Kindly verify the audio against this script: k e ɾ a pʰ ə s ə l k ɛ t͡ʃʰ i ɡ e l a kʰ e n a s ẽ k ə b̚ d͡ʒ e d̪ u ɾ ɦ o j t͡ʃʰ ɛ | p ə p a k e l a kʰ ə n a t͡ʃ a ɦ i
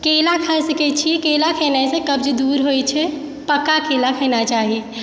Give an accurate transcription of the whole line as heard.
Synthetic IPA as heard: k e l a kʰ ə s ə k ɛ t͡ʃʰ i k e l a kʰ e n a s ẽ k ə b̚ d͡ʒ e d̪ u ɾ ɦ o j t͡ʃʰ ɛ | p ə k a k e l a kʰ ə n a t͡ʃ a ɦ i